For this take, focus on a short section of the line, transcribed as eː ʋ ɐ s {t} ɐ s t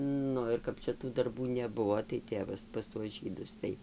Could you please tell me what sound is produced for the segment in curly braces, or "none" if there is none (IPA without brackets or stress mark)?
p